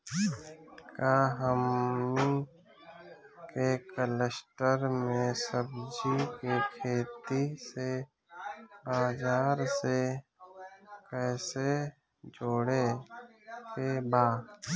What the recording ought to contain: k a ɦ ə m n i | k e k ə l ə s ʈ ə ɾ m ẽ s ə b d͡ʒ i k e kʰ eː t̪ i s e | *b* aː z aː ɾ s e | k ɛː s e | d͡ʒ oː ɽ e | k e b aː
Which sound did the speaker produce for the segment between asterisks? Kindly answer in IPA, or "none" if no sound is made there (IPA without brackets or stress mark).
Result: b